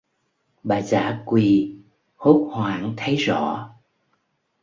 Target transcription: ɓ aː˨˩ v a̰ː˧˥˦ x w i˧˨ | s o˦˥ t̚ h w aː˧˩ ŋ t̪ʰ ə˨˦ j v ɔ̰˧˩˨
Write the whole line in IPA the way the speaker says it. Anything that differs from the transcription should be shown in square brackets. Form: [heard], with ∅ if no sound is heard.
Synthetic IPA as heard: ɓ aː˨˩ [z] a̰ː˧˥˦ [k] w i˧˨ | [h] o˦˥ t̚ h w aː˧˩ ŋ t̪ʰ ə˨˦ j [z] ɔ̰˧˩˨